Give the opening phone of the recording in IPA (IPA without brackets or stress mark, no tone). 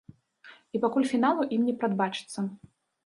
i